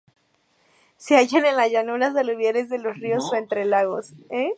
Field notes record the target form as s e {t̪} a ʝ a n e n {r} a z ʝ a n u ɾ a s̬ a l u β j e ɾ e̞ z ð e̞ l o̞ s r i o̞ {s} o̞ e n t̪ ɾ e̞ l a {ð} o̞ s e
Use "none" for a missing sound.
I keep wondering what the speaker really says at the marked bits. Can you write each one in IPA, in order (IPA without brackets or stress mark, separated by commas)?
none, l, s, ɣ